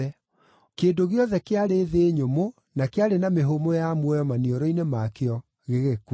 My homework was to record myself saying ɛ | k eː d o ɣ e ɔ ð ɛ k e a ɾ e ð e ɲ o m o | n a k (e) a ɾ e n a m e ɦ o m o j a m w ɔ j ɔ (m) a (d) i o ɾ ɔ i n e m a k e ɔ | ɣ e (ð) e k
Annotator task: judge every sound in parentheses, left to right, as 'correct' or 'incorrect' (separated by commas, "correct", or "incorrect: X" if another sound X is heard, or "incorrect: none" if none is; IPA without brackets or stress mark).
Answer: correct, correct, incorrect: n, incorrect: ɣ